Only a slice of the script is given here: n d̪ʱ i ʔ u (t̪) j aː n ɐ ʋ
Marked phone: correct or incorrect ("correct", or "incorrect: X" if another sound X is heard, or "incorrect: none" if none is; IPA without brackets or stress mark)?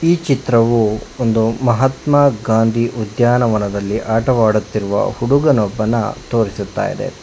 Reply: incorrect: d̪